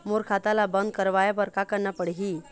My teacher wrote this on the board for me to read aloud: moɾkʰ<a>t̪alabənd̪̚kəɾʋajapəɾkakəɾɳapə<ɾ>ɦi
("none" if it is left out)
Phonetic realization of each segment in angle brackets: a, ɽ

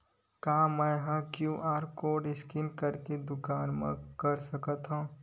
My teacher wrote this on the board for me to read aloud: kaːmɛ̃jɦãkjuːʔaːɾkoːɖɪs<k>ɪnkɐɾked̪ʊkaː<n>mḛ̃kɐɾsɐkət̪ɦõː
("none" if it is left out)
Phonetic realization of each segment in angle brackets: k, n

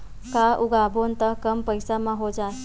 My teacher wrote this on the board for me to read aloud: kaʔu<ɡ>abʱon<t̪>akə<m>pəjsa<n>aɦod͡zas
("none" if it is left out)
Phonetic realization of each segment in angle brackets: ɡ, t̪, m, m

